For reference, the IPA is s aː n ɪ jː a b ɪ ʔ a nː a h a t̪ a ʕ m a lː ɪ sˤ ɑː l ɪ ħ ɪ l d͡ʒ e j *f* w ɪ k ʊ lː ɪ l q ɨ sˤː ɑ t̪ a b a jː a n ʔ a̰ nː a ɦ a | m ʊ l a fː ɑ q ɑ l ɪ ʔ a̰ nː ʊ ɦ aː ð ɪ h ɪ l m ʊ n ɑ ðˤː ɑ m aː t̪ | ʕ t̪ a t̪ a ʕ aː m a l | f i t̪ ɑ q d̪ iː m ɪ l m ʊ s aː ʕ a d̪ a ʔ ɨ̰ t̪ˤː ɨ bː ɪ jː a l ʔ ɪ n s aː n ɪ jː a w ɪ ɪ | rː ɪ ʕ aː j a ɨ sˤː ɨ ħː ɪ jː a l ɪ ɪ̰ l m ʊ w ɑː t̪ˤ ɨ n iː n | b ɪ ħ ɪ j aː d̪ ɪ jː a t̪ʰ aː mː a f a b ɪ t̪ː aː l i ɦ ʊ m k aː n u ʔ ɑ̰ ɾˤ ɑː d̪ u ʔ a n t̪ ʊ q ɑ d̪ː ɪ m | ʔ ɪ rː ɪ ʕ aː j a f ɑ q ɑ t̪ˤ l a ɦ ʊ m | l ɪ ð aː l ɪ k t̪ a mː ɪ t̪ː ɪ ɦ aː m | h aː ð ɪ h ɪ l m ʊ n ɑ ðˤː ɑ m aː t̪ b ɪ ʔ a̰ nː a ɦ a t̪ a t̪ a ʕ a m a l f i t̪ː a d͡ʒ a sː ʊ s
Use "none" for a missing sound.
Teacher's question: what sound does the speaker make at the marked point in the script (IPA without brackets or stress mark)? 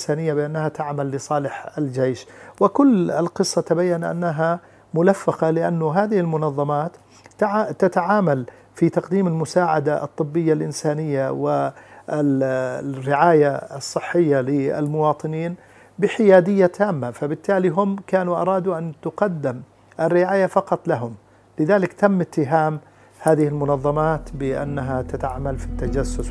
ʃ